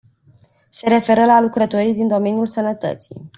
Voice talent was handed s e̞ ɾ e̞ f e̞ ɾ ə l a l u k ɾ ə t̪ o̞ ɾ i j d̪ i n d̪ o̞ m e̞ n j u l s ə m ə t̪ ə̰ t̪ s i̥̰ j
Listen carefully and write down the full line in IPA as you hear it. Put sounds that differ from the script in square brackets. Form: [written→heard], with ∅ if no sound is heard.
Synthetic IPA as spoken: s e̞ ɾ e̞ f e̞ ɾ ə l a l u k ɾ ə t̪ o̞ ɾ i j d̪ i n d̪ o̞ m e̞ n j u l s ə [m→n] ə t̪ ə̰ t̪ s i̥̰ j